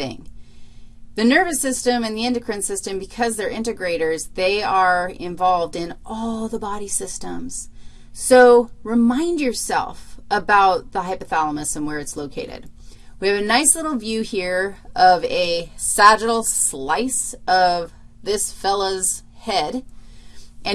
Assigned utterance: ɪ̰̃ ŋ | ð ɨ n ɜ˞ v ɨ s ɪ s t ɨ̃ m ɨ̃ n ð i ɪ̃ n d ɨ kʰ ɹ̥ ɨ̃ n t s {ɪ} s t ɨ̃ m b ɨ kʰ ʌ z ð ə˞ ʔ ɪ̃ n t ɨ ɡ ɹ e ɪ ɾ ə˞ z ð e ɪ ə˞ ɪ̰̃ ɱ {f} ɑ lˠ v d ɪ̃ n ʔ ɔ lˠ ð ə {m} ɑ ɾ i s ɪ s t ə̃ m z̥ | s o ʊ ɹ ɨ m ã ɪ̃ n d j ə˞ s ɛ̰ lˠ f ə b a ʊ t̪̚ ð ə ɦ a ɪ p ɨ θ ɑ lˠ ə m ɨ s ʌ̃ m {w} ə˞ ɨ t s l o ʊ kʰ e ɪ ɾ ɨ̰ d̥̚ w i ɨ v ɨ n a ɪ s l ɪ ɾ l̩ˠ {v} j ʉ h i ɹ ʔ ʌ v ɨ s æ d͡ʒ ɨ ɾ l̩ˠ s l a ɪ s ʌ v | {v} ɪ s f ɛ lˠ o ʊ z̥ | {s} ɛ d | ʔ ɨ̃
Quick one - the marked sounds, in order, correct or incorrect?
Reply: correct, incorrect, incorrect, correct, correct, incorrect, incorrect

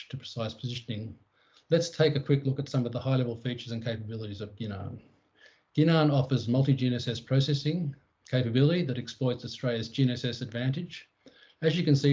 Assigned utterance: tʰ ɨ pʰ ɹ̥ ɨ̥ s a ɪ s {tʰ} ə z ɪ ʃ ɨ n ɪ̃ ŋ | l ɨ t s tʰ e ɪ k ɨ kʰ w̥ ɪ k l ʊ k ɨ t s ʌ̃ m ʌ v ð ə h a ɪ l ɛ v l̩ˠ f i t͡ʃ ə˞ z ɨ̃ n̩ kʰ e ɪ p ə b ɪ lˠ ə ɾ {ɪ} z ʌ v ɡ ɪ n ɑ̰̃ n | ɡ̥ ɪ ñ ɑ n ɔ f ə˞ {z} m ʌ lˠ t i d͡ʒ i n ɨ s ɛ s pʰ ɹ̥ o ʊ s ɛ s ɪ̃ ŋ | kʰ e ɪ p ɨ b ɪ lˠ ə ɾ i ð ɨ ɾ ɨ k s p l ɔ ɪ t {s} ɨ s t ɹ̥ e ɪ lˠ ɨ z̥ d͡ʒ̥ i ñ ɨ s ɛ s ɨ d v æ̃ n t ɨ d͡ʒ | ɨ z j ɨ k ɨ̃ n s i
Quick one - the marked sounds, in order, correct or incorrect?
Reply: incorrect, incorrect, correct, correct

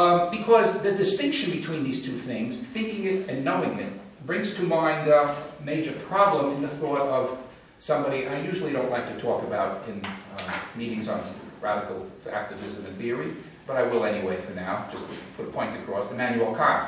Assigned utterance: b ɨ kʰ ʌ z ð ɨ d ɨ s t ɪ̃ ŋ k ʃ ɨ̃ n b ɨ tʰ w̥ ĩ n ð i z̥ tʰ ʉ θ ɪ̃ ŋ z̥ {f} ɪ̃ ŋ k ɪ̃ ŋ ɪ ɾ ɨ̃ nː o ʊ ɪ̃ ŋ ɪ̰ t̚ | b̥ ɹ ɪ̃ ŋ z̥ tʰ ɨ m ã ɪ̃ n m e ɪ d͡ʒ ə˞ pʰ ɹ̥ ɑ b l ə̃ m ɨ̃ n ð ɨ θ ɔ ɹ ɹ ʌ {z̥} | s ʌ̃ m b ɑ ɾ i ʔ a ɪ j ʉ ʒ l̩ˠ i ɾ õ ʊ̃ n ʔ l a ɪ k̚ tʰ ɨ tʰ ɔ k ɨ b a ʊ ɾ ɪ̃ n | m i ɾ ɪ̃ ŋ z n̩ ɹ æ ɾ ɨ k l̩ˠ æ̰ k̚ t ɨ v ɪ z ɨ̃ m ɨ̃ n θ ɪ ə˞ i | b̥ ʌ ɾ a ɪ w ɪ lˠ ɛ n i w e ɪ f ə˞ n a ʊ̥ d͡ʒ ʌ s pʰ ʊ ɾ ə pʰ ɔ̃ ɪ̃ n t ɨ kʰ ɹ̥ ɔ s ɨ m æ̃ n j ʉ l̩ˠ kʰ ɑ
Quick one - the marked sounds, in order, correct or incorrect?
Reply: incorrect, incorrect

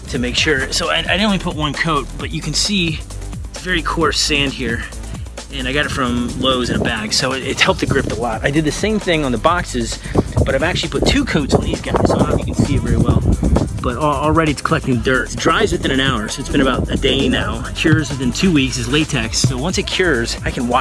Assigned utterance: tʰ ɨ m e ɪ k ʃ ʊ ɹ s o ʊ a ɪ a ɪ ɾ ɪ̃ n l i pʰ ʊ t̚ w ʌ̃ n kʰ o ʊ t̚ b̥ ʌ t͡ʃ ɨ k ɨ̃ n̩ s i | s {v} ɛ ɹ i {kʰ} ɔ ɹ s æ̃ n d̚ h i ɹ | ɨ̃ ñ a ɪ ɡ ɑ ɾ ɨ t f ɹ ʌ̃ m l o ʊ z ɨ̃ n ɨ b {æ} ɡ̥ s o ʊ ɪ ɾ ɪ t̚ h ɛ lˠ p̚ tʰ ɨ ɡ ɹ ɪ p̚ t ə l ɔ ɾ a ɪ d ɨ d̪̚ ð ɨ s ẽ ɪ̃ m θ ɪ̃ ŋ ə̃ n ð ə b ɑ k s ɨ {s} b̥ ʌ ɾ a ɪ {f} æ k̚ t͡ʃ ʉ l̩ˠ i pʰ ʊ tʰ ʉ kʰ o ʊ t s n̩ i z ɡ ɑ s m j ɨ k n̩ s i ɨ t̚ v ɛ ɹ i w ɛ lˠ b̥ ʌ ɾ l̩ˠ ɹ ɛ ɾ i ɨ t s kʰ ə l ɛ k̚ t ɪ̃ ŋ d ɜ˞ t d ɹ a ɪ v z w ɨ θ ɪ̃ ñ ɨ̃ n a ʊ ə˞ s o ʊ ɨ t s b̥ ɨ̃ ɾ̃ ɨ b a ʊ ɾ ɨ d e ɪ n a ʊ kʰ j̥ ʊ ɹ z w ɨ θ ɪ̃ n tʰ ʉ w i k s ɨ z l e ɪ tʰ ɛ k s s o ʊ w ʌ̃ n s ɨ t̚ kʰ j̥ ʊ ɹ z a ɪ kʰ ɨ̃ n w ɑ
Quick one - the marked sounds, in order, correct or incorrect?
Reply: correct, correct, correct, incorrect, incorrect

